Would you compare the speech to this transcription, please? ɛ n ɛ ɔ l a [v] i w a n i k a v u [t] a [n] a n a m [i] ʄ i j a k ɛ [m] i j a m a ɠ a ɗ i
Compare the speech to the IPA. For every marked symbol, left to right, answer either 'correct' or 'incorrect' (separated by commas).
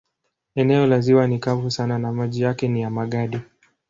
incorrect, incorrect, correct, incorrect, incorrect